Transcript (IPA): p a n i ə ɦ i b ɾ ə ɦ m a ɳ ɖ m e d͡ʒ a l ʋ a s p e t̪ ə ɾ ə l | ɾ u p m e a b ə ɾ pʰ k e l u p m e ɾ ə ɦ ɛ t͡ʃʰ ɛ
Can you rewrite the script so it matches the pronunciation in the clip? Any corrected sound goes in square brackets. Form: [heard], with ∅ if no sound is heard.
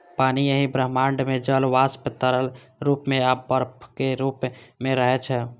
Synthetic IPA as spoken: p a n i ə ɦ i b ɾ ə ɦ m a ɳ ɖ m e d͡ʒ [ə] l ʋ a s p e t̪ ə ɾ ə l | ɾ u p m e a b ə ɾ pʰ k e [ɾ] u p m e ɾ ə ɦ ɛ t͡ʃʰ ɛ